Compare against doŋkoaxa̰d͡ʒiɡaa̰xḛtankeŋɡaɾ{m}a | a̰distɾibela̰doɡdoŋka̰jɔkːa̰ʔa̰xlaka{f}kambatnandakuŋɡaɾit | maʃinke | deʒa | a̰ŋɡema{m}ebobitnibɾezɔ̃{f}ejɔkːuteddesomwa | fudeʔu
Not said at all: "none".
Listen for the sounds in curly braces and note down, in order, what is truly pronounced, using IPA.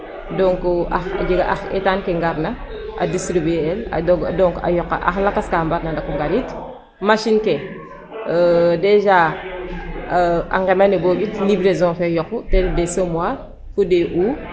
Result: n, s, n, f

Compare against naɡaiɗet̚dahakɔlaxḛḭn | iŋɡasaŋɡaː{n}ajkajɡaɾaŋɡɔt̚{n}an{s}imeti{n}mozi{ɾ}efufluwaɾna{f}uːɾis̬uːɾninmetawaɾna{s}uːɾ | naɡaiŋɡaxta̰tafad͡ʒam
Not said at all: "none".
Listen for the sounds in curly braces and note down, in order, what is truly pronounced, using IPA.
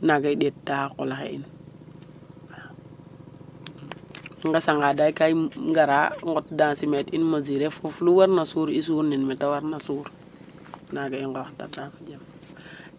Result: d, d, s, n, ɾ, s, s

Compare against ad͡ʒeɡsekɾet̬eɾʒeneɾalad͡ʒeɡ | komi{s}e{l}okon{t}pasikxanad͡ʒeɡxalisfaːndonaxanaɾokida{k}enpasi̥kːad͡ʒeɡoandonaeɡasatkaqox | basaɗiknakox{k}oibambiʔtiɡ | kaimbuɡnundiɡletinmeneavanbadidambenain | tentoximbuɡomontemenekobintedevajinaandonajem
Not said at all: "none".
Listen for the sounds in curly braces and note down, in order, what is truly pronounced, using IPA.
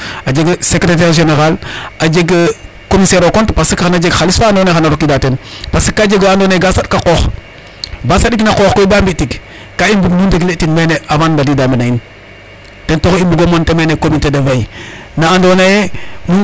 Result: s, ɾ, t, t, k

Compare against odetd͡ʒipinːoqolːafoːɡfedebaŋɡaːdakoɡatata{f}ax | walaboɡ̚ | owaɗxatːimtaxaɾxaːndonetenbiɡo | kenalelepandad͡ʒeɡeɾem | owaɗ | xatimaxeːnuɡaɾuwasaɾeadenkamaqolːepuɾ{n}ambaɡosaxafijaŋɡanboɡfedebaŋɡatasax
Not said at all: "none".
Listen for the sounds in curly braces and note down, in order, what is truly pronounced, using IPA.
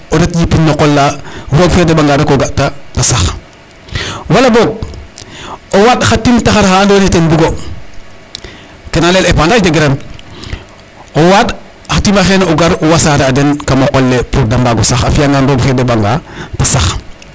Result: s, d

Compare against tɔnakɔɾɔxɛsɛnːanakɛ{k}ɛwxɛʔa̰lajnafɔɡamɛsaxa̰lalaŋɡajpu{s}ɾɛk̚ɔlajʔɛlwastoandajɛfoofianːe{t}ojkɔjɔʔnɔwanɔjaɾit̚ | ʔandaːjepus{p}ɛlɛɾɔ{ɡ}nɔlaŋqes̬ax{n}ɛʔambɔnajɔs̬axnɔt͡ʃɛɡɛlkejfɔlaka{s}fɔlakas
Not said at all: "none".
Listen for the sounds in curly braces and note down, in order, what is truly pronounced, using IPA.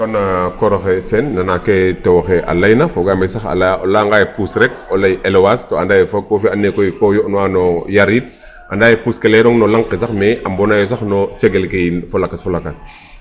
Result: t, s, k, k, ŋ, m, s

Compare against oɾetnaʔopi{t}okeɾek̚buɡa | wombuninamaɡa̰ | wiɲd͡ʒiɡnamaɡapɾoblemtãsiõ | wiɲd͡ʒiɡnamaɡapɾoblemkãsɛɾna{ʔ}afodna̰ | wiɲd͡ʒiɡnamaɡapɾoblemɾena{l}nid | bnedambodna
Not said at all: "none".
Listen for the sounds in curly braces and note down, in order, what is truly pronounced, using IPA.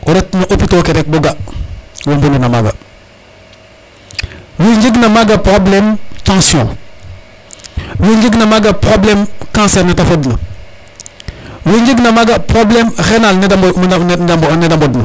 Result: t, t, l

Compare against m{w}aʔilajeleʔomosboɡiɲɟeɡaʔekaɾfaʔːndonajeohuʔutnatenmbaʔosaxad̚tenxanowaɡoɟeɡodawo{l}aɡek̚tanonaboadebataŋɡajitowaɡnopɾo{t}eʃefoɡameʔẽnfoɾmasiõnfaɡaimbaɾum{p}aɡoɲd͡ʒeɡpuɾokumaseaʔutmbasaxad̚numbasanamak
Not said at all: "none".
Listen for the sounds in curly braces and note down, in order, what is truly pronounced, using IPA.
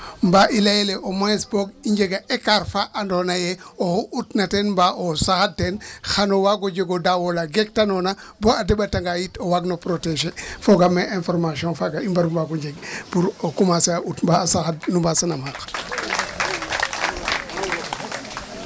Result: b, l, t, b

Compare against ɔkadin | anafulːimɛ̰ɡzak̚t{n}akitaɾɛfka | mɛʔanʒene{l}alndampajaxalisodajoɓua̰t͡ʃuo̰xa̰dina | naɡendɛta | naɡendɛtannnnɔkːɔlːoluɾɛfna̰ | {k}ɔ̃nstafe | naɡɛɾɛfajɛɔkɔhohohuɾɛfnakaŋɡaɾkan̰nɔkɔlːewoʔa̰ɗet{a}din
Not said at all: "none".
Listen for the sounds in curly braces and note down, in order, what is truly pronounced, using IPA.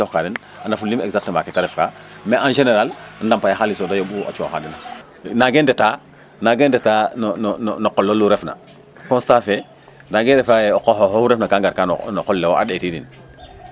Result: m, ɾ, k, i

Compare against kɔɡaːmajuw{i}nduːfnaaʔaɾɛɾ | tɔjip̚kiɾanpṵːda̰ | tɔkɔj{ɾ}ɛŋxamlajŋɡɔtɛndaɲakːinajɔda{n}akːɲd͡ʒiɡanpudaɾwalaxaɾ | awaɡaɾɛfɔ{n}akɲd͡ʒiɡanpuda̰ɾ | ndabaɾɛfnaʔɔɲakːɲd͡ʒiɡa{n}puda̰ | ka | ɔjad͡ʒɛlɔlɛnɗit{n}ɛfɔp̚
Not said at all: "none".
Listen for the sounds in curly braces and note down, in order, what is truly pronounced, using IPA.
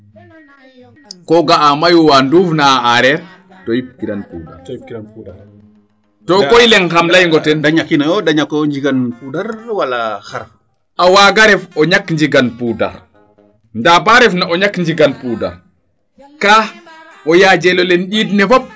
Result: a, l, ɲ, ɲ, n, n

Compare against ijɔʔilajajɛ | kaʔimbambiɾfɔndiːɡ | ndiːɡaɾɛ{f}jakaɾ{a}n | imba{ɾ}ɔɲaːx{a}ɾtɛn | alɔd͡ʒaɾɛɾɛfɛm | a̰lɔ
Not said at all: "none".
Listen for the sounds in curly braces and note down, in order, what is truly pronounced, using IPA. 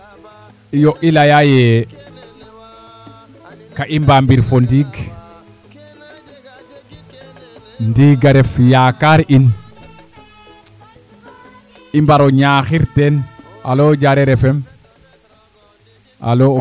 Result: f, i, ɾ, i

